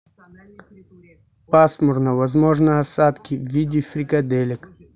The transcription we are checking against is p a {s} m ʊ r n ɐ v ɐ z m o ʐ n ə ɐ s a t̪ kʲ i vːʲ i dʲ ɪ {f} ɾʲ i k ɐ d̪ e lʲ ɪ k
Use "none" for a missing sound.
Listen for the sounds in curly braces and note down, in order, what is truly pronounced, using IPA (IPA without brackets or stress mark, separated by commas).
s, f